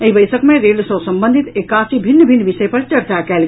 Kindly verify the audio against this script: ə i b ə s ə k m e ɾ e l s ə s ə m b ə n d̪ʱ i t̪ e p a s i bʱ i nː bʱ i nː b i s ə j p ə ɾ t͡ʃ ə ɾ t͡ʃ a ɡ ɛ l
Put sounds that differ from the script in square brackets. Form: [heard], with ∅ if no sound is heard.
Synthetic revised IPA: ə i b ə s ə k m e ɾ e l s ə s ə m b ə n d̪ʱ i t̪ e [k] a s i bʱ i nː bʱ i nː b i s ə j p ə ɾ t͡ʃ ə ɾ t͡ʃ a [k] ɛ l